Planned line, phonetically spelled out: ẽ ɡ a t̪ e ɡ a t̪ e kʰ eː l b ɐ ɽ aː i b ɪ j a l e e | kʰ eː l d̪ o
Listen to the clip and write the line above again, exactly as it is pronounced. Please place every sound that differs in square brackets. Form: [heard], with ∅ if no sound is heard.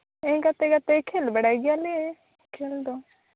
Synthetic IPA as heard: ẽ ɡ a t̪ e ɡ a t̪ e kʰ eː l b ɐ ɽ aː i [ɡ] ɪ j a l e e | kʰ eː l d̪ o